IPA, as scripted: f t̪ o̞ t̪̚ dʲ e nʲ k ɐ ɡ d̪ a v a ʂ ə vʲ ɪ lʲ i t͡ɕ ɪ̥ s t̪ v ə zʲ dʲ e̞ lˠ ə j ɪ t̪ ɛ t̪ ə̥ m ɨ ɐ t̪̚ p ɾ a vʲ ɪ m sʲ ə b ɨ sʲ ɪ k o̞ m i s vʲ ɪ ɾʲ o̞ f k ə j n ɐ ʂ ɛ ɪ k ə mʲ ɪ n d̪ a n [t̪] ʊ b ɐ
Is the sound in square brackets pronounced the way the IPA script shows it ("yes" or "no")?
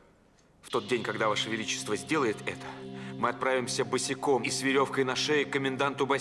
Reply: yes